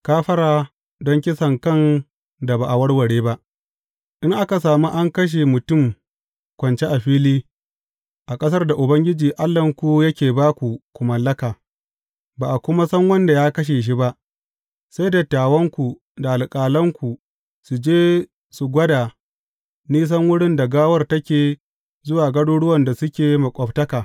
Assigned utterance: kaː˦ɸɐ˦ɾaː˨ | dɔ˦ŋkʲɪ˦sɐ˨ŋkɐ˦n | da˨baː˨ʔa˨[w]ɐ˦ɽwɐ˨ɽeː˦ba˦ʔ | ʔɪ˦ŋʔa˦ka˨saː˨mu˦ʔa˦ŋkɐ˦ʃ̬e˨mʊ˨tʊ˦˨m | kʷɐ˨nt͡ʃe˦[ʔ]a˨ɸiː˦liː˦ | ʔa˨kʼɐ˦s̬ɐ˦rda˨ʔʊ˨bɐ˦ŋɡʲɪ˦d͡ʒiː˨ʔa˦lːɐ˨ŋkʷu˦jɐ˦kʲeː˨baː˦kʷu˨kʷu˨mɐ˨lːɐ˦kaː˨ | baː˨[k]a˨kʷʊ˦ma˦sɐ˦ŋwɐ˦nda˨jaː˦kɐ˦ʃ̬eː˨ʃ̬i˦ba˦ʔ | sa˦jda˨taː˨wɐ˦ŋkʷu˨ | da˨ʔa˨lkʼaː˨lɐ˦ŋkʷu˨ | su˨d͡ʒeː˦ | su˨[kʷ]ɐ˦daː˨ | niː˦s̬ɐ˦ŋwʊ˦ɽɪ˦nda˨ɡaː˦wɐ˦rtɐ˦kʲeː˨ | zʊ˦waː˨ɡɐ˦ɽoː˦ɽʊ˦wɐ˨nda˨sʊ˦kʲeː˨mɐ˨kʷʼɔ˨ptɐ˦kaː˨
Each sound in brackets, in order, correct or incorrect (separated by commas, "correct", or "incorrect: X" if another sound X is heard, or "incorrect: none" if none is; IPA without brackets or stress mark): correct, correct, incorrect: ʔ, incorrect: ɡʷ